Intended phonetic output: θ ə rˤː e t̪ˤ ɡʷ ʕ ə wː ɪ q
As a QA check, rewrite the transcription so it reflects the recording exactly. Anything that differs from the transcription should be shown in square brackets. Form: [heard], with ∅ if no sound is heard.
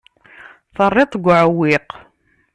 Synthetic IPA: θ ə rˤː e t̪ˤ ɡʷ ʕ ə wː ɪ q